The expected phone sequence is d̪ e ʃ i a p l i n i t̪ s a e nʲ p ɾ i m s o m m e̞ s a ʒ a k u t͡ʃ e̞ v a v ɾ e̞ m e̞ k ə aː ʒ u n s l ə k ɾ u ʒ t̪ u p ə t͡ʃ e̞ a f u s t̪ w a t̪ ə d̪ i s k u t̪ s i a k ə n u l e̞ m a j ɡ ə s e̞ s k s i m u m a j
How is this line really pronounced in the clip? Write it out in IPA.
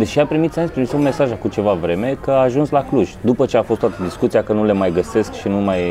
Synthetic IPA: d̪ e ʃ i a p ɾ i m i t̪ s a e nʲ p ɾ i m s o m m e̞ s a ʒ a k u t͡ʃ e̞ v a v ɾ e̞ m e̞ k ə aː ʒ u n s l a k l u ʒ d̪ u p ə t͡ʃ e̞ a f o s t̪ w a t̪ ə d̪ i s k u t̪ s i a k ə n u l e̞ m a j ɡ ə s e̞ s k ʃ i n u m a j